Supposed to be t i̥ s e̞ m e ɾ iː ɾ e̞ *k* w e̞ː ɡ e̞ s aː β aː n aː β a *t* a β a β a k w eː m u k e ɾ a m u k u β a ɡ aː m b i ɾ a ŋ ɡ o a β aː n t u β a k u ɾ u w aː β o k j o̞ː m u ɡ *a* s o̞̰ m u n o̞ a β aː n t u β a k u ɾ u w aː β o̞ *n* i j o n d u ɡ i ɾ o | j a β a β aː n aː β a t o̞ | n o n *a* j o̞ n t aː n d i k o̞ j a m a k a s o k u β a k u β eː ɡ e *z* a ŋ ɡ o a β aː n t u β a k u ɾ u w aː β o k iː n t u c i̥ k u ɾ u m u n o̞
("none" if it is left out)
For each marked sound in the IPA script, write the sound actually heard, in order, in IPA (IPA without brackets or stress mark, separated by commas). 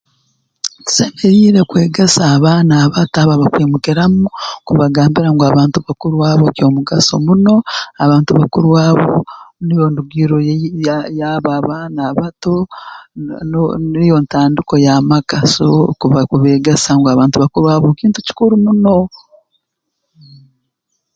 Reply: k, t, a, n, i, s